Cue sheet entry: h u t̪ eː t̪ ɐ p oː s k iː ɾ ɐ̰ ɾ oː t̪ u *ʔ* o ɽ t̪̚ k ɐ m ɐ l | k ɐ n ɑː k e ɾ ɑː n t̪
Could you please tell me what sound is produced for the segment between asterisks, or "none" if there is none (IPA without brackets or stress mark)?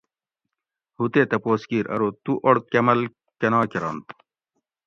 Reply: ʔ